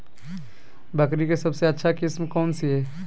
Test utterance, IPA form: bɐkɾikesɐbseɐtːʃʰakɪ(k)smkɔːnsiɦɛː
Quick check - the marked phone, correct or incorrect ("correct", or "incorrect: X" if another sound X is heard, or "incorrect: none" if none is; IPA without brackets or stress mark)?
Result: incorrect: none